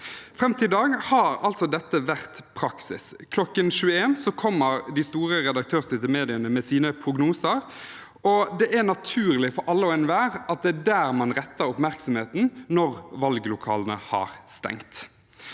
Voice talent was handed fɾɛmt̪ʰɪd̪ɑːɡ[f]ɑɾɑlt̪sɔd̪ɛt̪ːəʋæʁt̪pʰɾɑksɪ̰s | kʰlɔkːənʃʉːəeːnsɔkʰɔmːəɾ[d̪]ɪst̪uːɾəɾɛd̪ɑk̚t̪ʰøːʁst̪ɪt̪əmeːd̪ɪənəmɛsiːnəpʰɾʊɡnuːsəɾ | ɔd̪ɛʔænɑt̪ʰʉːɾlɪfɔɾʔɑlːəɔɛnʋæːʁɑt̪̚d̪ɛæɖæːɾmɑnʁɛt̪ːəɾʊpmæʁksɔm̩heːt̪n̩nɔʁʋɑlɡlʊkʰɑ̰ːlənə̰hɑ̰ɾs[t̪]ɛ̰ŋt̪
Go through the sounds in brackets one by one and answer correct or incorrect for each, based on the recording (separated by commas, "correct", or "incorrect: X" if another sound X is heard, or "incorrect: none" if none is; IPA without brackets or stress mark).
incorrect: h, correct, correct